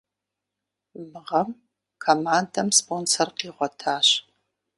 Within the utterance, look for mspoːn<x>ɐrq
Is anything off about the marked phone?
yes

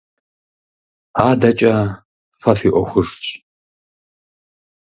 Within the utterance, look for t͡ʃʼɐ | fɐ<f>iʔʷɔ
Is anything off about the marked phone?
no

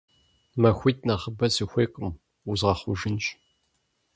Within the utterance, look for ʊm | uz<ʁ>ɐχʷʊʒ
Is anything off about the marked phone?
no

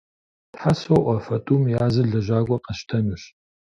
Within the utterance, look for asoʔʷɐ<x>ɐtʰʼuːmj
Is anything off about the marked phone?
yes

